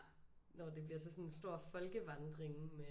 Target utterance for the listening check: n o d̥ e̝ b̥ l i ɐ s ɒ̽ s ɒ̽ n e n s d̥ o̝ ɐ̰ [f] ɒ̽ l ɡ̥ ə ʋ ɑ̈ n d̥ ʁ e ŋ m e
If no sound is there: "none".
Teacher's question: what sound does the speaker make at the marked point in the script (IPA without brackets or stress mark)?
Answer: f